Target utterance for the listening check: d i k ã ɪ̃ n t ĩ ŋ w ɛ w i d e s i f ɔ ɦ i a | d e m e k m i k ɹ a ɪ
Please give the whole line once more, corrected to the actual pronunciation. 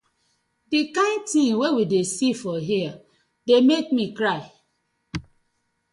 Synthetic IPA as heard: d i k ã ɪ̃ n t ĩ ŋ w e w i d e s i f ɔ ɦ i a | d e m e k m i k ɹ a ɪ